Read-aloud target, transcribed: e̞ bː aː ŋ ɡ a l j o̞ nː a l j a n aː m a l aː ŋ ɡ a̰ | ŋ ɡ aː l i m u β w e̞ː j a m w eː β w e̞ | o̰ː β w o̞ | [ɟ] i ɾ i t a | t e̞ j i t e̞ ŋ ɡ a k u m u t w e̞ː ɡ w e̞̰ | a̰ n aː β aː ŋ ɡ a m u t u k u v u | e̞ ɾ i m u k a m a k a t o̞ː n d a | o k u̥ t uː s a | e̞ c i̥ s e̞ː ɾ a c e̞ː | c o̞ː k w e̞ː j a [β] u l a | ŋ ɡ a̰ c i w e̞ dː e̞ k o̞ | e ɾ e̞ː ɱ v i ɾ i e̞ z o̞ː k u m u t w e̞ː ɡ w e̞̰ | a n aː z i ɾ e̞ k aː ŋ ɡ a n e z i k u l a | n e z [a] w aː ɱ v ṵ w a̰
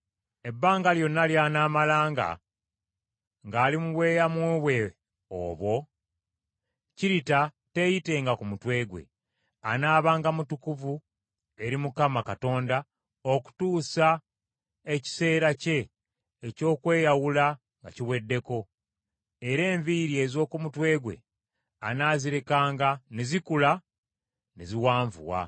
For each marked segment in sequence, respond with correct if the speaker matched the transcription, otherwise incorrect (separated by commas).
incorrect, incorrect, incorrect